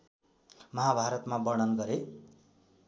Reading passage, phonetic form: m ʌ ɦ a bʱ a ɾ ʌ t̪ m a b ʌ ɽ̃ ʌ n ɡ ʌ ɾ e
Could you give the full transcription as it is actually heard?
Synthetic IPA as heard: m ʌ ɦ a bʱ a ɾ ʌ t̪ m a b ʌ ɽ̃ ʌ n ɡ ʌ ɾ e